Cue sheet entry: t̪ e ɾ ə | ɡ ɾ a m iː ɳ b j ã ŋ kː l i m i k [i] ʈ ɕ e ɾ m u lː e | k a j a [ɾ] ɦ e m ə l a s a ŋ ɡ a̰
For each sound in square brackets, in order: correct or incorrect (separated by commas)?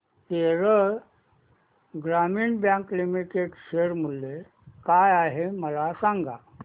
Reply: incorrect, incorrect